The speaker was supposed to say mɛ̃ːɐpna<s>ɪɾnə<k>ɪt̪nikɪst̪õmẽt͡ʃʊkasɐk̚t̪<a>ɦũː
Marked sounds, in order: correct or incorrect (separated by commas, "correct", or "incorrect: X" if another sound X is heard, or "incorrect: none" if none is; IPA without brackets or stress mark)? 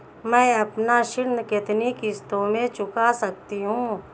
incorrect: ʃ, correct, incorrect: i